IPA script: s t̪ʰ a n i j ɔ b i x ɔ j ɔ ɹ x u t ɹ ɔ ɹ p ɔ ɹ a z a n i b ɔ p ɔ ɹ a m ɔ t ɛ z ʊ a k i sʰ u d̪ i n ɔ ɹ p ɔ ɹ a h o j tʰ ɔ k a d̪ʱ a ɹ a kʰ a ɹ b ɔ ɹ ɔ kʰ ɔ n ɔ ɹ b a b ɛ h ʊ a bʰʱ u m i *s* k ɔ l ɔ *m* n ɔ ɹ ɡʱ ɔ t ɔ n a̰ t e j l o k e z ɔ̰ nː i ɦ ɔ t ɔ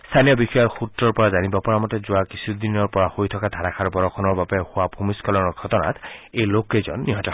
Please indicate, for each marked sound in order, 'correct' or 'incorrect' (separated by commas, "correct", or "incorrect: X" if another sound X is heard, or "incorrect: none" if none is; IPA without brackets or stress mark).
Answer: correct, incorrect: none